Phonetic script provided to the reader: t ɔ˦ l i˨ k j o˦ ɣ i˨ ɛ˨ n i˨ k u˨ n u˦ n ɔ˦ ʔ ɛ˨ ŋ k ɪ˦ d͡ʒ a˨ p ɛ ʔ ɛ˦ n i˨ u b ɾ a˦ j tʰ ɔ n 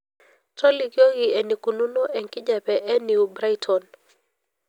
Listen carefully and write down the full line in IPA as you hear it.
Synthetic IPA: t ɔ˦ l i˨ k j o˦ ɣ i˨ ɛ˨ n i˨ k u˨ n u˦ n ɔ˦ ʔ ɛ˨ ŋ k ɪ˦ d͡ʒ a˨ p ɛ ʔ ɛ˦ n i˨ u b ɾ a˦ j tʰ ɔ n